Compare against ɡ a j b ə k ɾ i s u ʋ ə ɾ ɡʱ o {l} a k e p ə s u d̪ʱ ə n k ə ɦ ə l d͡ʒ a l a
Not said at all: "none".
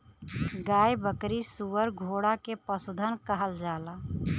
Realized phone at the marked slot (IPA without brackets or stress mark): ɽ